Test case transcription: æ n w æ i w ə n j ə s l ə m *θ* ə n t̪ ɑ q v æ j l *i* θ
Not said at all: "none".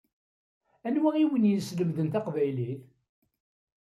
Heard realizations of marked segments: ð, i

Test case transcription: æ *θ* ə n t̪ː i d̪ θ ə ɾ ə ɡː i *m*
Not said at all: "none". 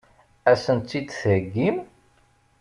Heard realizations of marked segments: s, m

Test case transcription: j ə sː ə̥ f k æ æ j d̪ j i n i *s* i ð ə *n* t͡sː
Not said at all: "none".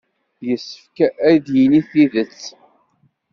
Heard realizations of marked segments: θ, none

